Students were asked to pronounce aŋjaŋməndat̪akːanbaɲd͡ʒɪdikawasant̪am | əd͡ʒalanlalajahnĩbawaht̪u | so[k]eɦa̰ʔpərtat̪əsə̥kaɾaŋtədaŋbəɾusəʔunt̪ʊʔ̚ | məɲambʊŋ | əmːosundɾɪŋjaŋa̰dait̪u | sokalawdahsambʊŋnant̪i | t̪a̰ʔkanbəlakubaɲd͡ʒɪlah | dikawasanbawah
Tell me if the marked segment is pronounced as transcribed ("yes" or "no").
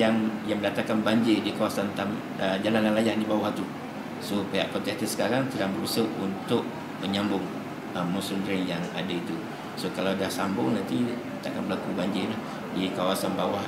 no